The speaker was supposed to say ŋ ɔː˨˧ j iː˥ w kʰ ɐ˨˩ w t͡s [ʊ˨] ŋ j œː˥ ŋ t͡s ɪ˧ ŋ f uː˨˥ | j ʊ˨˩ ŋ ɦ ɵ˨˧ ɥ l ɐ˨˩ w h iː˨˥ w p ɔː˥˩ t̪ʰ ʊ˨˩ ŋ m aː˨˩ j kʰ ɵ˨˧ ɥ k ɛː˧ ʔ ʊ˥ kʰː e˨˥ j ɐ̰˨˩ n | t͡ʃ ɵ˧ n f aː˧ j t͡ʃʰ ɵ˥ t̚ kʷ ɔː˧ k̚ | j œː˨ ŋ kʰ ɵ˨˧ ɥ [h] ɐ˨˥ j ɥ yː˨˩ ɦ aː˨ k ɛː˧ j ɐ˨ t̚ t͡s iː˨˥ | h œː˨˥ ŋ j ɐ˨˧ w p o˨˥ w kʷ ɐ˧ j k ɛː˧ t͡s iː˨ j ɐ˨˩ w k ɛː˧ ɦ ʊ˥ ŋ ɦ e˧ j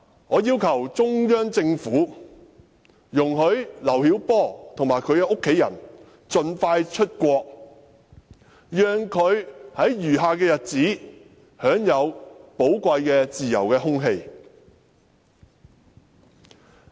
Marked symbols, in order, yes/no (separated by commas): no, yes